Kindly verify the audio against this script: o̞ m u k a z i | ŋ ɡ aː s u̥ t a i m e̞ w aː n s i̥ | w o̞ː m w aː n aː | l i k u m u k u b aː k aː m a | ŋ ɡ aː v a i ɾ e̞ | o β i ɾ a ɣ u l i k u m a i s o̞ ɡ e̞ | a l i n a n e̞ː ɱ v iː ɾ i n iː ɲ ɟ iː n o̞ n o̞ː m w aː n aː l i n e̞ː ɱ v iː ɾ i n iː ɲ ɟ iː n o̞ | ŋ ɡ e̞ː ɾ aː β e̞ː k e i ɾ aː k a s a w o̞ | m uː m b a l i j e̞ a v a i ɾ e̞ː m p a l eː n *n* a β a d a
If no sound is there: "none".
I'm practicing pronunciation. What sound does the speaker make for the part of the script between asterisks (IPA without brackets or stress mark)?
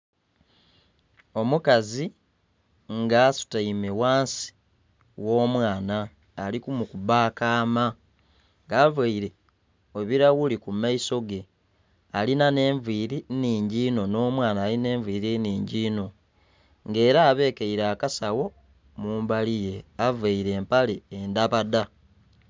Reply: d